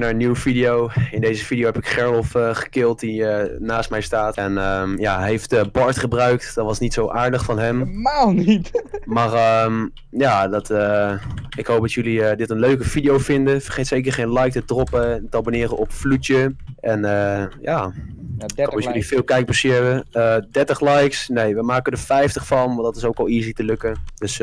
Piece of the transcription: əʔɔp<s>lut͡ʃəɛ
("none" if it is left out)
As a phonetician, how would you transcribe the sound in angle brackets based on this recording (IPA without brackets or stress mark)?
f